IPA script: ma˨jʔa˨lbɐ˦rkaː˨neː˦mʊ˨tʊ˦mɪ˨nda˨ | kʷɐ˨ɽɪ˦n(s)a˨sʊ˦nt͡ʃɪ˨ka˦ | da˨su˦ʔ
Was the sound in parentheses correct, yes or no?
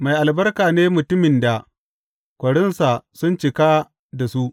yes